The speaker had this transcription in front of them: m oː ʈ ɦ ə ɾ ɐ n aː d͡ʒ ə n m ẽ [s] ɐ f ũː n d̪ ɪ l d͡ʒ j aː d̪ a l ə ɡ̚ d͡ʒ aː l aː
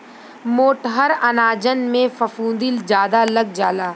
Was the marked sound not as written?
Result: yes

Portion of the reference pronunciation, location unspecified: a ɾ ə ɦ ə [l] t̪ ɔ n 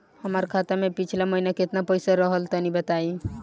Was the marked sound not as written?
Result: no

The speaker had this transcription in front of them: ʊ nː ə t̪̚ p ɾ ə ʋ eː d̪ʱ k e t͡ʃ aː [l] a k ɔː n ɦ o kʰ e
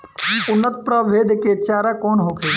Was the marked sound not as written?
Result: yes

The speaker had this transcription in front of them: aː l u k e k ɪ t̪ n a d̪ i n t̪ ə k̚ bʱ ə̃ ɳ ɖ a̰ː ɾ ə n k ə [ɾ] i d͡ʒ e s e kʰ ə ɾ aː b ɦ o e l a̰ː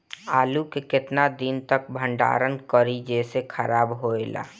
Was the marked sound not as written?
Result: no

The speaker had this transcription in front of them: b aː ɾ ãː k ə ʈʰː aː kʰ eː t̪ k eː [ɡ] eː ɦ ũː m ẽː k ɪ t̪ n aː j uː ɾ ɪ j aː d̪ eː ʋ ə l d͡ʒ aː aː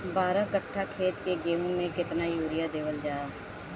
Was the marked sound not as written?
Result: no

